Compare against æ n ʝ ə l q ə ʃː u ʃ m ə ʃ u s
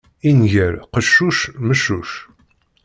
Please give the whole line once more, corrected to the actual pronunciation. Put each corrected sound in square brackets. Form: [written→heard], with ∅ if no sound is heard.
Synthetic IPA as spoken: [æ→i] n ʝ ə [l→ɾ] q ə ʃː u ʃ m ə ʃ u [s→ʃ]